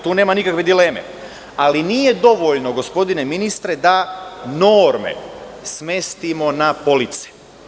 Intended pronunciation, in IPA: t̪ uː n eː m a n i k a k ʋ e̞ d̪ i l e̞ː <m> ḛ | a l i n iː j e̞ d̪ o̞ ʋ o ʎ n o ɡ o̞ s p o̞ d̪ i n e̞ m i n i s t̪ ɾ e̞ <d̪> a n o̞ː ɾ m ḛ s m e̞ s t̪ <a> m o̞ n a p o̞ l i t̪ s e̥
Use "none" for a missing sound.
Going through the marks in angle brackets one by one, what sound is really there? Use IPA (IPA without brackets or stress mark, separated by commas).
m, d̪, i